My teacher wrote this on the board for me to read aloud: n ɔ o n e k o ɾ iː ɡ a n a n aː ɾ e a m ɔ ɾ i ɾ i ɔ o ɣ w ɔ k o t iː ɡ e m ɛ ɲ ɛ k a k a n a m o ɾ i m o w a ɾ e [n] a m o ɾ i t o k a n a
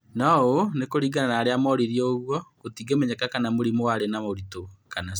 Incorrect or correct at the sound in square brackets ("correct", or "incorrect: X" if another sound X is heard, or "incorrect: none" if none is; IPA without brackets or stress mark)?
correct